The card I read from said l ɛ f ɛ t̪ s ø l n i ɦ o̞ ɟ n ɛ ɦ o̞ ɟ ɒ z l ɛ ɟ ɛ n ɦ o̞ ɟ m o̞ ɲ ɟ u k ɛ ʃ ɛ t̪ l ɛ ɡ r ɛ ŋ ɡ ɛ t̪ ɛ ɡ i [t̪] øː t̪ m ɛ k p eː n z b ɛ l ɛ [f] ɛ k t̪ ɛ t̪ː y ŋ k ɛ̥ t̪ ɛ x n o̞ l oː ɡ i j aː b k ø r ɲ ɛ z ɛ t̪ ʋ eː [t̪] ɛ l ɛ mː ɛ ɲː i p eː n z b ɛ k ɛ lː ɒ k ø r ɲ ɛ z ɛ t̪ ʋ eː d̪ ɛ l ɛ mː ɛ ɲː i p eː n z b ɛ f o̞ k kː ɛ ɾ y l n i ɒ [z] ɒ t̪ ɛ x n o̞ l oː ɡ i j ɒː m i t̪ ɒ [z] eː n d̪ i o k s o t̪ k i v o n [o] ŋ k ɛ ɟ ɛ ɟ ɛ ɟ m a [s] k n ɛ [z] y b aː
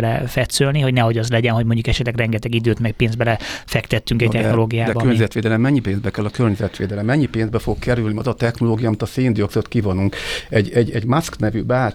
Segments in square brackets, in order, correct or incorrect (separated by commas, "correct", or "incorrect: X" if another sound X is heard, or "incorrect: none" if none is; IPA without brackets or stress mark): incorrect: d̪, correct, incorrect: d̪, correct, incorrect: s, incorrect: u, correct, incorrect: v